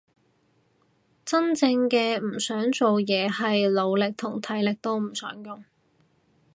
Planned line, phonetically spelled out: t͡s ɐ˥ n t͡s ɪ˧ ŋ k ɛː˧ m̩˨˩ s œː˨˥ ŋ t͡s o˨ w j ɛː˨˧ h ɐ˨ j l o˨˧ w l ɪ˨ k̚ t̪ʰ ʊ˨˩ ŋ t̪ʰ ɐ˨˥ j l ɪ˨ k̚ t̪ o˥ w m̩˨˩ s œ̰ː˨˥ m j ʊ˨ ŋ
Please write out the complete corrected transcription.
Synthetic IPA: t͡s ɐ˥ n t͡s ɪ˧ ŋ k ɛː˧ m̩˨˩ s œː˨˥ ŋ t͡s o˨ w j ɛː˨˧ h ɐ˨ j l o˨˧ w l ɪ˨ k̚ t̪ʰ ʊ˨˩ ŋ t̪ʰ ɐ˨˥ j l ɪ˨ k̚ t̪ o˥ w m̩˨˩ s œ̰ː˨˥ ŋ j ʊ˨ ŋ